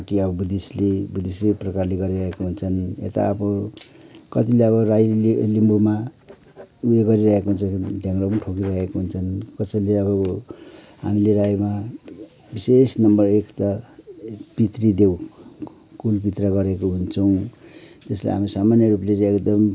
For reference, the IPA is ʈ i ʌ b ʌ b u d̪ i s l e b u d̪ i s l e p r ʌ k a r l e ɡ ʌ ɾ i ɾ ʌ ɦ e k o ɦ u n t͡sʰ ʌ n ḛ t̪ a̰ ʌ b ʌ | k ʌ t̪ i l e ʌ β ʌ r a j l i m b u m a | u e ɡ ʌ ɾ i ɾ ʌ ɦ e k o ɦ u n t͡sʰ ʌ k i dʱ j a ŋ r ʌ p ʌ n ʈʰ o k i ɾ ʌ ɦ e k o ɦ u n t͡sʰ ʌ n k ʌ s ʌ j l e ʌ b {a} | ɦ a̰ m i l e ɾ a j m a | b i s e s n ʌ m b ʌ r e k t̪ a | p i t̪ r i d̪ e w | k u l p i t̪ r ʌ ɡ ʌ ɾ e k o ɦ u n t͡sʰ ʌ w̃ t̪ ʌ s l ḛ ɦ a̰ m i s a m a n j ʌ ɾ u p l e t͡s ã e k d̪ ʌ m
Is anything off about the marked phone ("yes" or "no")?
yes